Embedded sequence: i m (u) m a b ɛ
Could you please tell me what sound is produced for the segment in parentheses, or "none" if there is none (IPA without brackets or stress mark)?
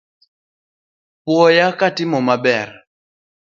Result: ɔ